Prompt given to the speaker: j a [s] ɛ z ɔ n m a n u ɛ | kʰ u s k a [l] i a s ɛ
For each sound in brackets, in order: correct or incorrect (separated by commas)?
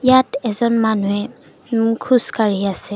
incorrect, incorrect